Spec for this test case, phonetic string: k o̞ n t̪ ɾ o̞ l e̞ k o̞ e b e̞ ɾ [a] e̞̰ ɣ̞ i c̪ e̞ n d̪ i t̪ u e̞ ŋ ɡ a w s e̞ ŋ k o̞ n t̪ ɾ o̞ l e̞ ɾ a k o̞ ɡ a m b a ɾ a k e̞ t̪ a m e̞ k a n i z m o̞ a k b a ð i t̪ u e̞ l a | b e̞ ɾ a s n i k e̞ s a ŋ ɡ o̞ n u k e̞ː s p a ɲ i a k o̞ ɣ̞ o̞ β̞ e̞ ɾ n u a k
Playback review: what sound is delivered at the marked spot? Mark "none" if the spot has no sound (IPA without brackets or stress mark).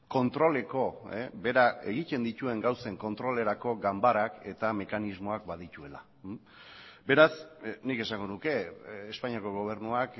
a